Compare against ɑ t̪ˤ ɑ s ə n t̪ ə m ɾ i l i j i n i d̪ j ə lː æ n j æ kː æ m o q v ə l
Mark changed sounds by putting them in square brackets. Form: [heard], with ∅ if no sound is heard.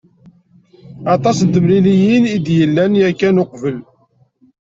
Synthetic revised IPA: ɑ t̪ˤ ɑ s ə n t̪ ə m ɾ i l i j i n i d̪ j ə lː æ n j æ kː æ [n] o q v ə l